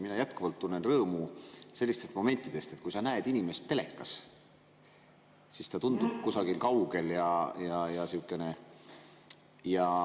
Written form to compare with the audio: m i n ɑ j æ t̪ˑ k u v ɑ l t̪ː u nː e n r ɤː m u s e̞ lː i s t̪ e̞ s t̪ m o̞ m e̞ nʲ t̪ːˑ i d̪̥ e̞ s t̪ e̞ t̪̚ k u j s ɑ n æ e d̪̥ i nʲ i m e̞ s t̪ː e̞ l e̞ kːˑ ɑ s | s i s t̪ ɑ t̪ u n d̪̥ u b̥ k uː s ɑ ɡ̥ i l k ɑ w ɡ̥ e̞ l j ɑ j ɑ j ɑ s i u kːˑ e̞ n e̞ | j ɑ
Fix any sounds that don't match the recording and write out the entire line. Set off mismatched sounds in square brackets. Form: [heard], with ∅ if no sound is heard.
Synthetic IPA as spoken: m i n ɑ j æ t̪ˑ k u v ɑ l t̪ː u nː e n r ɤː m u s e̞ lː i s t̪ e̞ s t̪ m o̞ m e̞ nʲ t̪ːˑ i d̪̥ e̞ s t̪ e̞ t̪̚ k u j s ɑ n æ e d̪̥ i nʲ i m e̞ s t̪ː e̞ l e̞ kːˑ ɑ s | s i s t̪ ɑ t̪ u n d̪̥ u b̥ k [u] s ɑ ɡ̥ i l k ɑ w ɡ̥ e̞ l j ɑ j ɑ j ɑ s i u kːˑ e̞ n e̞ | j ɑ